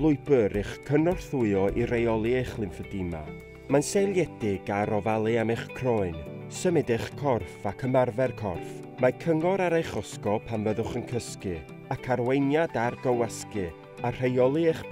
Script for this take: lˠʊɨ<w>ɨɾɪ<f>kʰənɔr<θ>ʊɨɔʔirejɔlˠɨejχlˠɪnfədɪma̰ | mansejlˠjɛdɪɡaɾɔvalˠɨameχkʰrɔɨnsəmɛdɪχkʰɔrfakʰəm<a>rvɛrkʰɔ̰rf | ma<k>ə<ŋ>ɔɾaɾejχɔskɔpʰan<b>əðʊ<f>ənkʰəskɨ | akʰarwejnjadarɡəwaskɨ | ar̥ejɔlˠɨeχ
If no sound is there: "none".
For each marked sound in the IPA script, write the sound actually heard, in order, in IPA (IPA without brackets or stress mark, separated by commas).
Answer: b, χ, θ, a, kʰ, ŋ, v, χ